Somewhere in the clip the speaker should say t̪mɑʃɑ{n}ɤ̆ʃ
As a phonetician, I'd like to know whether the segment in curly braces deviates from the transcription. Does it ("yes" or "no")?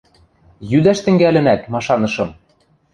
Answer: no